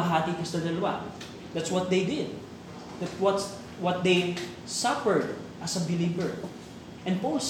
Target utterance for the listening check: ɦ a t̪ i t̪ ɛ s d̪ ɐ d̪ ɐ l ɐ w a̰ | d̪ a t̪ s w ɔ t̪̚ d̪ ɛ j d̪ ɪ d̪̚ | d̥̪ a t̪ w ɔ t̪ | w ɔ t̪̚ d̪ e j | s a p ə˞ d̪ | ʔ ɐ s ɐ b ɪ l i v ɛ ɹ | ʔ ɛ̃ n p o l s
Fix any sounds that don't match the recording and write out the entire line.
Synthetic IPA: ɦ a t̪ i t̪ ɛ s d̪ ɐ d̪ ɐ l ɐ w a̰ | d̪ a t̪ s w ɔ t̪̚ d̪ e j d̪ ɪ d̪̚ | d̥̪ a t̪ w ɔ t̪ | w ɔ t̪̚ d̪ e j | s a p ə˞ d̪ | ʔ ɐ s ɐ b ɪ l i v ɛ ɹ | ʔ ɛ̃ n p o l s